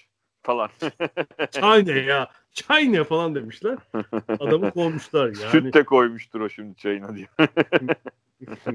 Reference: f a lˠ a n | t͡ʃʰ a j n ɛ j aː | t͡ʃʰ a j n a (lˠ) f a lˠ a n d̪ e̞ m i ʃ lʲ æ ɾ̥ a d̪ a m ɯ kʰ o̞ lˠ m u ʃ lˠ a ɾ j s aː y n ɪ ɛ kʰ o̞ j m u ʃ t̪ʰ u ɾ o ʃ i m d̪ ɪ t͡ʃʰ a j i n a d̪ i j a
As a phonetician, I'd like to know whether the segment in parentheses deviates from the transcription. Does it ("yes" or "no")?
yes